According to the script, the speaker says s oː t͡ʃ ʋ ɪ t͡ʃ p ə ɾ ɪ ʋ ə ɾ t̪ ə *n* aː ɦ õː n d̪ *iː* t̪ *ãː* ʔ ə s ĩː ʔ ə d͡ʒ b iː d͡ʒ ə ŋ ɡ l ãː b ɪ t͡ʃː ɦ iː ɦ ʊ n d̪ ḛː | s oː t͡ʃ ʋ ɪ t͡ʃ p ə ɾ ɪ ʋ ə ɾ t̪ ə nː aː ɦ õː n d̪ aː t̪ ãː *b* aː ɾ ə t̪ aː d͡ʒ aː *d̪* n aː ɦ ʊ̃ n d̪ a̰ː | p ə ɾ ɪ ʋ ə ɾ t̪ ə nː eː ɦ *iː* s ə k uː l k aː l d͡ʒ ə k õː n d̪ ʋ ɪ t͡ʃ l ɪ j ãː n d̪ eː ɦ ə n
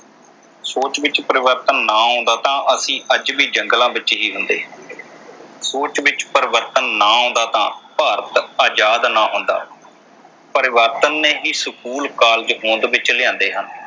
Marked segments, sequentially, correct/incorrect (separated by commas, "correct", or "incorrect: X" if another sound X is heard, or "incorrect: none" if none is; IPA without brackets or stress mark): incorrect: nː, incorrect: aː, correct, incorrect: p, correct, correct